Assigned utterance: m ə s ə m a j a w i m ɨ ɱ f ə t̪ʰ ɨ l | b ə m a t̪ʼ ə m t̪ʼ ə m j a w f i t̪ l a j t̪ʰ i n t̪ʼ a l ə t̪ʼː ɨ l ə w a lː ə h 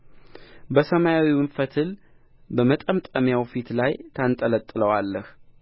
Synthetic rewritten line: b ə s ə m a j a w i m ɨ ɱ f ə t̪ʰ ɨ l | b ə m ə t̪ʼ ə m t̪ʼ ə m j a w f i t̪ l a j t̪ʰ a n t̪ʼ ə l ə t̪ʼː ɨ l ə w a lː ə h